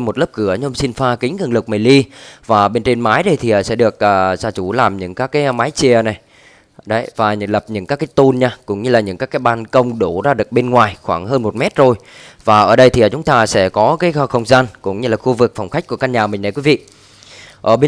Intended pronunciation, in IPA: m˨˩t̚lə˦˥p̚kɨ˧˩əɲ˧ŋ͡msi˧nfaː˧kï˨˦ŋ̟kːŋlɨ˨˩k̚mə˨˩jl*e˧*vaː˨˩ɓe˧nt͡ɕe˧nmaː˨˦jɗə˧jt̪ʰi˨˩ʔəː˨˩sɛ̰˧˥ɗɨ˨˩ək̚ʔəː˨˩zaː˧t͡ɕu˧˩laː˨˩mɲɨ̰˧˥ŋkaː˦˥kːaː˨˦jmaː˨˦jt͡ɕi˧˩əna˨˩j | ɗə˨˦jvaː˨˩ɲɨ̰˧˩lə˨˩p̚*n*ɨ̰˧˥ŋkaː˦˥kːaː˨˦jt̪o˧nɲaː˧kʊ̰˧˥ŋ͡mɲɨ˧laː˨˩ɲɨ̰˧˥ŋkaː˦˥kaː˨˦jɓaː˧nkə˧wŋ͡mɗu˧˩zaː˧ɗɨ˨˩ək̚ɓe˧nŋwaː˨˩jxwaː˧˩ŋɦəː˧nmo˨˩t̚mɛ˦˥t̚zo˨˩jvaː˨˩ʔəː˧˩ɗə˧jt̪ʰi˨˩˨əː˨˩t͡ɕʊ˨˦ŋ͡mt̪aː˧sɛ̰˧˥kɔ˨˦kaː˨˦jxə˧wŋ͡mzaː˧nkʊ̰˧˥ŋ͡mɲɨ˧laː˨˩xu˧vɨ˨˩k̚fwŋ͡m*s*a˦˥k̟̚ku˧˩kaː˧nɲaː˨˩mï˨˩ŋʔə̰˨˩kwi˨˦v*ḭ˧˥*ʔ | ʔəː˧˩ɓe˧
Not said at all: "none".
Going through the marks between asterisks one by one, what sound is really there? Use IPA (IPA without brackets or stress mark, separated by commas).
i˧, ɲ, x, ḭ˧˨